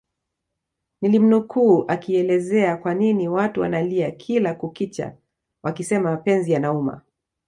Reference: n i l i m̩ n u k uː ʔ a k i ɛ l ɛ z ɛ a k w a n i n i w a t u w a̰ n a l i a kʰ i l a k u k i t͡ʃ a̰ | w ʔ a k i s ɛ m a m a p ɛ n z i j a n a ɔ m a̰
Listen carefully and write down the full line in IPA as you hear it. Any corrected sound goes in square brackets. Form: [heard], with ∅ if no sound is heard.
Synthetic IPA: n i l i m̩ n u k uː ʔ a k i ɛ l ɛ z ɛ a k w a n i n i w a t u w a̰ n a l i a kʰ i l a k u k i t͡ʃ a̰ | w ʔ a k i s ɛ m a m a p ɛ n z i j a n a [u] m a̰